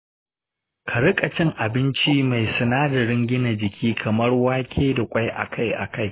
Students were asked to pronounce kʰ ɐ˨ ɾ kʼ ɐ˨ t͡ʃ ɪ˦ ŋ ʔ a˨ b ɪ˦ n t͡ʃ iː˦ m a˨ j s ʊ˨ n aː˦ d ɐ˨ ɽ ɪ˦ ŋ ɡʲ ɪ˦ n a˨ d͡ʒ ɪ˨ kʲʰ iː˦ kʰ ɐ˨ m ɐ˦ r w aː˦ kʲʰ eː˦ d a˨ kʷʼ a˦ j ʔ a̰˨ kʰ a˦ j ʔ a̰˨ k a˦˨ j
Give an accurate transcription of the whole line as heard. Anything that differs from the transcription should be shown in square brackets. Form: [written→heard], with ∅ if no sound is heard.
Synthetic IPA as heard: kʰ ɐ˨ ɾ kʼ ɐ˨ t͡ʃ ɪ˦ ŋ ʔ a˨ b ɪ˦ n t͡ʃ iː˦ m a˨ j s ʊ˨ n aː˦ d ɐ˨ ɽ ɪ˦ ŋ ɡʲ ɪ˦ n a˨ d͡ʒ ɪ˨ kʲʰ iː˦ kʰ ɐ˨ m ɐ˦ r w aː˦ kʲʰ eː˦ d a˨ kʷʼ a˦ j ʔ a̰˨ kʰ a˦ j ʔ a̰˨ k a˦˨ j